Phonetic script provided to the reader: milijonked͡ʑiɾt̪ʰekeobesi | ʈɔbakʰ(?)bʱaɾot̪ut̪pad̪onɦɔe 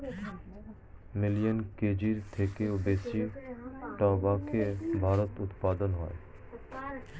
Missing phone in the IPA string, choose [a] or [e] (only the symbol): e